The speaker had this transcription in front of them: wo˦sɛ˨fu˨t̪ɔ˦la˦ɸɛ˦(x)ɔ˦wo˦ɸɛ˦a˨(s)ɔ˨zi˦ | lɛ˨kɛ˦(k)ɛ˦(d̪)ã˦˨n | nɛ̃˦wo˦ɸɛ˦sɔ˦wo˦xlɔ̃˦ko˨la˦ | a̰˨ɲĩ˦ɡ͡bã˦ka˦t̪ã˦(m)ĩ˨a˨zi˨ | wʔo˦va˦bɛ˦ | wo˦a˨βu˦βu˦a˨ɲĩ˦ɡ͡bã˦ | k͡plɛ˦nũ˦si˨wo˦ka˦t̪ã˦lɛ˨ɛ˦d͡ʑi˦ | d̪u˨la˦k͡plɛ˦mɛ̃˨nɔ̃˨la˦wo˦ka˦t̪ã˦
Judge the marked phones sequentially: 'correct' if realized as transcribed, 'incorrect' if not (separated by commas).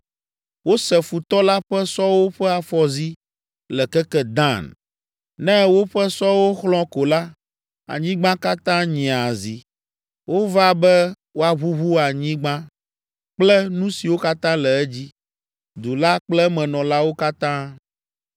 incorrect, incorrect, correct, correct, incorrect